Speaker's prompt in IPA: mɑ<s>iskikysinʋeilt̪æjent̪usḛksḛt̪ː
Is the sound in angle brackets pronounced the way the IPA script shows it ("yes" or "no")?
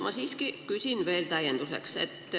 yes